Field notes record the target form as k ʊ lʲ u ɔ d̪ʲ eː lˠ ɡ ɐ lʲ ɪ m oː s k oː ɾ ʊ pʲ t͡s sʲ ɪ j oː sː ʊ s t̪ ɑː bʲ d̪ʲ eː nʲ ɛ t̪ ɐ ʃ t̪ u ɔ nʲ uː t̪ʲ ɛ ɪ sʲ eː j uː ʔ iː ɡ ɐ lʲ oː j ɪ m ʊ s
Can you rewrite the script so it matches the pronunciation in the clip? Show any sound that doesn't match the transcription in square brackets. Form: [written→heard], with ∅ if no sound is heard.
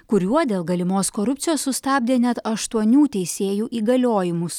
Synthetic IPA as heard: k ʊ [lʲ→ɾʲ] u ɔ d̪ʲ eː lˠ ɡ ɐ lʲ ɪ m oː s k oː ɾ ʊ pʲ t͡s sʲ ɪ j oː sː ʊ s t̪ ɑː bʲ d̪ʲ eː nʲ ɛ t̪ ɐ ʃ t̪ u ɔ nʲ uː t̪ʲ ɛ ɪ sʲ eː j uː ʔ iː ɡ ɐ lʲ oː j ɪ m ʊ s